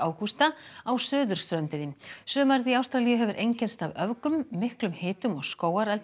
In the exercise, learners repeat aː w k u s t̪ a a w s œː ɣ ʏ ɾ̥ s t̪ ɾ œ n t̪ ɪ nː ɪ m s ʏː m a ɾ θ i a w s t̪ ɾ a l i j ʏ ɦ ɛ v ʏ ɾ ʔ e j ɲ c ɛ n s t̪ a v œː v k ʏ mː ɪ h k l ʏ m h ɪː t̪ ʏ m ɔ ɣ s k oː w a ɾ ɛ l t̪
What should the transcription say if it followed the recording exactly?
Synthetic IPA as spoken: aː w k u s t̪ a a w s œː ð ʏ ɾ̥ s t̪ ɾ œ n t̪ ɪ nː ɪ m s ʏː m a ɾ ð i a w s t̪ ɾ a l i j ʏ ɦ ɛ v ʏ ɾ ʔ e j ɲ c ɛ n s t̪ a v œ v k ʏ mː ɪ h k l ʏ m h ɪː t̪ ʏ m ɔ ɣ s k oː w a ɾ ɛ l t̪